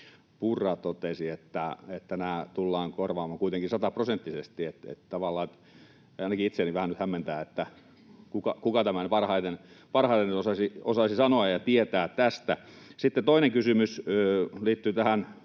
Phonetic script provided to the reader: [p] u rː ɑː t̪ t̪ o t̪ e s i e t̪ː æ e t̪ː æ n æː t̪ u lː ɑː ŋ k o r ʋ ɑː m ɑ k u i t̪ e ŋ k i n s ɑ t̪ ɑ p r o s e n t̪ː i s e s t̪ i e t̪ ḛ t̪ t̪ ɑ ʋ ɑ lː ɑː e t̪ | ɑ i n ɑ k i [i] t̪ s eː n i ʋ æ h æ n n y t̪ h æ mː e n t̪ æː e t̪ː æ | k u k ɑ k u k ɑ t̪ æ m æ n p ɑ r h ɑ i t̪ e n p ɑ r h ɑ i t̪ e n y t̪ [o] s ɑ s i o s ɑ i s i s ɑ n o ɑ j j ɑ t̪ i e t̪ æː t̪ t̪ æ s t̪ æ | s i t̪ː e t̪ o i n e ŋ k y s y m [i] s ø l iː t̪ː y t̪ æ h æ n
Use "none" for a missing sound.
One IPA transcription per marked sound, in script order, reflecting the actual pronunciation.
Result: p, i, o, y

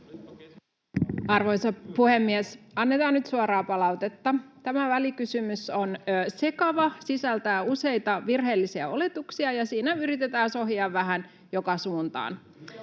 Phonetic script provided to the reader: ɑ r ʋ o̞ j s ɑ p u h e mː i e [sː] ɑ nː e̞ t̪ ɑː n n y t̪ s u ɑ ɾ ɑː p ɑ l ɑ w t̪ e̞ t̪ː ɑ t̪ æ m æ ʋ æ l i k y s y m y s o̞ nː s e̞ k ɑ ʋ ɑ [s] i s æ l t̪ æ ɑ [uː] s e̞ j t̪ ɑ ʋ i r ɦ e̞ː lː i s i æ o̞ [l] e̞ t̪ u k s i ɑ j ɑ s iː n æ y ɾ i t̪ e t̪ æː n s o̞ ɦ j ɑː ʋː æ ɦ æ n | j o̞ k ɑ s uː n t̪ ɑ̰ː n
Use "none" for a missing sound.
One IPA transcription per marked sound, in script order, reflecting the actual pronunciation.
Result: s, s, u, l

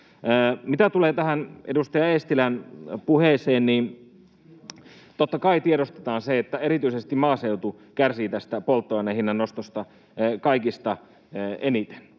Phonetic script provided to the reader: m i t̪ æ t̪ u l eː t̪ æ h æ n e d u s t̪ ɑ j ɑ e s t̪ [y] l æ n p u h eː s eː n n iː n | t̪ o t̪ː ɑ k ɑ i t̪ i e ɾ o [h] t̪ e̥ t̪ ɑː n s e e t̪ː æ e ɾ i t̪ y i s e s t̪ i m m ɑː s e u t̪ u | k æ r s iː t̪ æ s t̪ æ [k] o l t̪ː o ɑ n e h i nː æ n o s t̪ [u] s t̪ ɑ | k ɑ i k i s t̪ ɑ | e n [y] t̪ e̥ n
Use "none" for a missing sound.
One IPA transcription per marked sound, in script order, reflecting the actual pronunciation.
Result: i, s, p, o, i

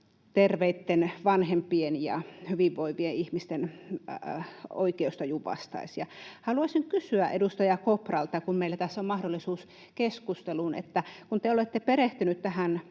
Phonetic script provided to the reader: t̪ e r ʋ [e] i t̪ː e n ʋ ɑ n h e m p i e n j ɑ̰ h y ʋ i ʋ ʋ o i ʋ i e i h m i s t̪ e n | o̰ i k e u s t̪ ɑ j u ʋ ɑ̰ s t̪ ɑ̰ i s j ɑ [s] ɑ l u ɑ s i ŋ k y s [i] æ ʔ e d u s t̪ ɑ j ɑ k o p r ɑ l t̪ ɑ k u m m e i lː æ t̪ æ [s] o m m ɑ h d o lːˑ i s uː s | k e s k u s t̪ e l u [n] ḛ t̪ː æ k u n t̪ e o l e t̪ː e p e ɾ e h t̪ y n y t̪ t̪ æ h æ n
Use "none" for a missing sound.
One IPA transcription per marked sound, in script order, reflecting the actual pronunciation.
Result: e, h, y, sː, n

